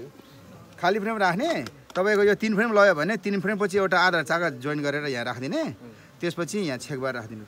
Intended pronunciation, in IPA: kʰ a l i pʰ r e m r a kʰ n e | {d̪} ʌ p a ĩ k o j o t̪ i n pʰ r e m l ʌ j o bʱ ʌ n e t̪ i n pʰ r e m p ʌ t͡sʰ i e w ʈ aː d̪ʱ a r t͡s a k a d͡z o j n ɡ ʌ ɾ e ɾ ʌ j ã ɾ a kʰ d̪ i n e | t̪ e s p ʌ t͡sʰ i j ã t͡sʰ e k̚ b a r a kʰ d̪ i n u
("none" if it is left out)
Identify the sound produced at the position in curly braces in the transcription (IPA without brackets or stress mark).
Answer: t̪